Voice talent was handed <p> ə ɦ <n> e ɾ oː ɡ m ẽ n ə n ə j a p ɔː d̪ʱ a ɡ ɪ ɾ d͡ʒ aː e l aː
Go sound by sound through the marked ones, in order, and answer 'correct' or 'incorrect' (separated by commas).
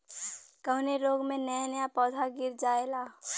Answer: incorrect, correct